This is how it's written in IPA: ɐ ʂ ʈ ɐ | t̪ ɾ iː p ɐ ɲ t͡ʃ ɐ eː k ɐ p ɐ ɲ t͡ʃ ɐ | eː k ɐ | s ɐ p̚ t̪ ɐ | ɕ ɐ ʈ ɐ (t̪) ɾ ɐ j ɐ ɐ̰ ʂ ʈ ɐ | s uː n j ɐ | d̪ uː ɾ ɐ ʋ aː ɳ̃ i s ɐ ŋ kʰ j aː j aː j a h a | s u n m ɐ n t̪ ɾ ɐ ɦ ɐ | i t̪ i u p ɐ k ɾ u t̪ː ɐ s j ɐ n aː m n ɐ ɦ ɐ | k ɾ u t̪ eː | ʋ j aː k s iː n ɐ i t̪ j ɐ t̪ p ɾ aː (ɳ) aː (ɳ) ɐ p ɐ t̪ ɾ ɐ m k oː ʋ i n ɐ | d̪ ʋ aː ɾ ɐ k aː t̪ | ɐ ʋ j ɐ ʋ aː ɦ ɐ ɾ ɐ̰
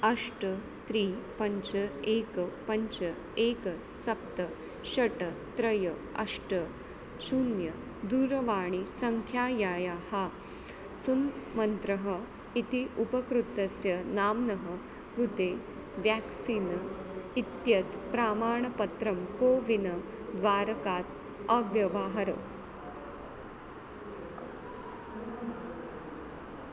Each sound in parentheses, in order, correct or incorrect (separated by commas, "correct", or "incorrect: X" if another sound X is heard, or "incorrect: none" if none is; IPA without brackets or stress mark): correct, incorrect: m, correct